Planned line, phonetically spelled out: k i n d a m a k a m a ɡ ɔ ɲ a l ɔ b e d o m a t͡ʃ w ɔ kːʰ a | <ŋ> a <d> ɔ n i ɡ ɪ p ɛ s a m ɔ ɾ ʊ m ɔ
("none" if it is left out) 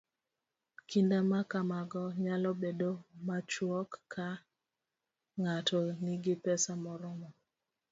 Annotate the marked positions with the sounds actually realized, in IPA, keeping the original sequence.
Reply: ŋ, t

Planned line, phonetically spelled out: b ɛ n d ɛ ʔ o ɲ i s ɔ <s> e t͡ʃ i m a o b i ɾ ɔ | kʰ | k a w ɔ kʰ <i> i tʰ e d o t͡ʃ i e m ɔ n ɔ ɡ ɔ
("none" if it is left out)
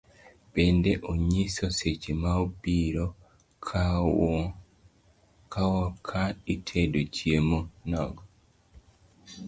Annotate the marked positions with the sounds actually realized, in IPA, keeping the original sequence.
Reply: s, a

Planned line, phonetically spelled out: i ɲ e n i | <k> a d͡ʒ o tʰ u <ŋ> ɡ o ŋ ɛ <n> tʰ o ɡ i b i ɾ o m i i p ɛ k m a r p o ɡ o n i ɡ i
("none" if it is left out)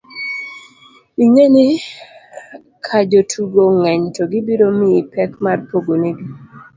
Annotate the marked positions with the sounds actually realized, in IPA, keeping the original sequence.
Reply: kʰ, none, ɲ

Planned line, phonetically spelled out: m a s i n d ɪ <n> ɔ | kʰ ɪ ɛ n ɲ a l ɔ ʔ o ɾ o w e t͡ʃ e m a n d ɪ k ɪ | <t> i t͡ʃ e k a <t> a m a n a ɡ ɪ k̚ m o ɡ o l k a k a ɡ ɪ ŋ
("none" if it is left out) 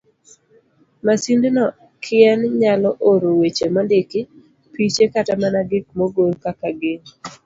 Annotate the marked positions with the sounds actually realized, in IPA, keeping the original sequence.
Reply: n, p, t

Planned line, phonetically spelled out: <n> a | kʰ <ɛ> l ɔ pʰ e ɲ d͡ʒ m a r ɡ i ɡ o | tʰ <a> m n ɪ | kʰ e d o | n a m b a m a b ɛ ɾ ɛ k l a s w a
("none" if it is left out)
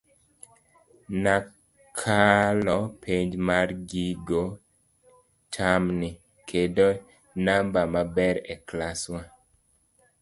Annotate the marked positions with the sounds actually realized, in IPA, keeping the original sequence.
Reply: n, a, a

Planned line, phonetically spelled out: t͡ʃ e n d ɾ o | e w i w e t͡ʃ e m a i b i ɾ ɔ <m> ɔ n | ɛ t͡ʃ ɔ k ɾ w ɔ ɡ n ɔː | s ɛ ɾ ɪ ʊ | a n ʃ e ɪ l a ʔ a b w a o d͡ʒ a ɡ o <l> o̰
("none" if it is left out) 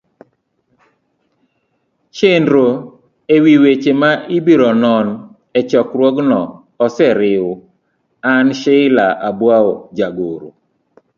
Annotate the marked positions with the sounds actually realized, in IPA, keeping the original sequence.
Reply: n, ɾ

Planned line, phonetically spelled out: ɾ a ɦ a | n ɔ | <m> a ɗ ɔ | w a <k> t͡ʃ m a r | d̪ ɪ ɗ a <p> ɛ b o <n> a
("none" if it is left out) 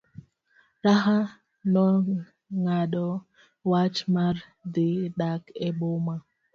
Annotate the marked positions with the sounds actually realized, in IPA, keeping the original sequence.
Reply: ŋ, none, k, m

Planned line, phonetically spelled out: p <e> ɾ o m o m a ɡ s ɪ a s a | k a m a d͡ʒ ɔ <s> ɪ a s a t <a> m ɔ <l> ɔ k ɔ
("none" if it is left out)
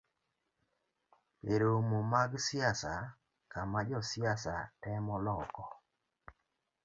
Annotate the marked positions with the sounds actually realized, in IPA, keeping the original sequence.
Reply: e, s, ɛ, l

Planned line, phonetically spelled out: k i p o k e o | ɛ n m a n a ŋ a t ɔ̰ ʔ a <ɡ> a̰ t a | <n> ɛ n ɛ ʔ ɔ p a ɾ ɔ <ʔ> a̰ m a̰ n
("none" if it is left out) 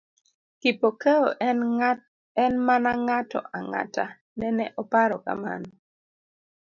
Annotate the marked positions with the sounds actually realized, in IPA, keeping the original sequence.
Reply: ŋ, n, k

